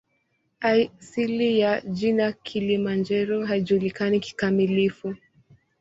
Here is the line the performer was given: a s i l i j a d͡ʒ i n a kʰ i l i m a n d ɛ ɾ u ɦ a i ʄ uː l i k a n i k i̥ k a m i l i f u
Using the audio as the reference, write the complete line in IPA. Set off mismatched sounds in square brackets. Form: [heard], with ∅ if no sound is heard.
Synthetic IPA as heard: a s i l i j a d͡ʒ i n a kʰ i l i m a n [d͡ʒ] ɛ ɾ [ɔ] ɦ a i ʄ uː l i k a n i k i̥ k a m i l i f u